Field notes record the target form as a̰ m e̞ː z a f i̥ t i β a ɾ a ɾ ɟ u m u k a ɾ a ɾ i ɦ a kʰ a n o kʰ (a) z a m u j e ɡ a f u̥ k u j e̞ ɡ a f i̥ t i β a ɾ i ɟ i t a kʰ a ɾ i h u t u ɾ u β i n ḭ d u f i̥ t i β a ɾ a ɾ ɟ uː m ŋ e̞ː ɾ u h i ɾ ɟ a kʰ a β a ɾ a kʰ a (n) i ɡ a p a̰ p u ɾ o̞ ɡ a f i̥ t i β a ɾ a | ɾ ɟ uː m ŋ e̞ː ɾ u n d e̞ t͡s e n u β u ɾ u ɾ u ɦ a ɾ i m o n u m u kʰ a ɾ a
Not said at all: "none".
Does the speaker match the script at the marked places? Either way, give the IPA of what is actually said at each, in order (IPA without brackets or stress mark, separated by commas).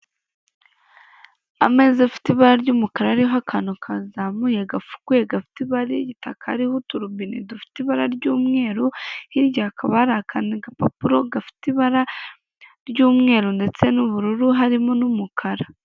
a, n